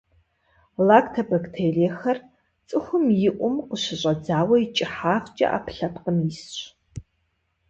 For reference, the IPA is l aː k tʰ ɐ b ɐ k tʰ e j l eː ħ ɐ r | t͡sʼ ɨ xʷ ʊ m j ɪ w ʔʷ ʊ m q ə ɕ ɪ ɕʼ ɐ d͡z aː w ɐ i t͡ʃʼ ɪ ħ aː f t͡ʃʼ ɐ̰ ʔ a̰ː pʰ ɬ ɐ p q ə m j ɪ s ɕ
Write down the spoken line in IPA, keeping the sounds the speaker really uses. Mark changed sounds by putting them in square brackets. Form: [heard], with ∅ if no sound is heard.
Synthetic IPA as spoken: l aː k tʰ ɐ b ɐ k tʰ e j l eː [x] ɐ r | t͡sʼ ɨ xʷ ʊ m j ɪ [∅] ʔʷ ʊ m q ə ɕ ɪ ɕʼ ɐ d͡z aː w ɐ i t͡ʃʼ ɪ ħ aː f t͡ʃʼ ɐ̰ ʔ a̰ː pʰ ɬ ɐ p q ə m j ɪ s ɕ